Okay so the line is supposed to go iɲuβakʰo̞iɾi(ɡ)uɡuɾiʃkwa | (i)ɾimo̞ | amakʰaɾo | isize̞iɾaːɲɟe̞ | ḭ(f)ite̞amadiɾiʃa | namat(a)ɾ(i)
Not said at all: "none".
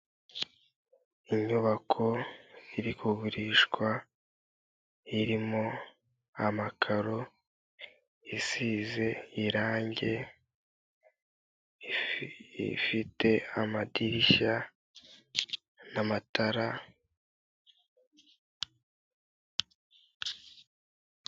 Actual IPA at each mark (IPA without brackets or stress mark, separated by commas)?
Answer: k, i, f, a, a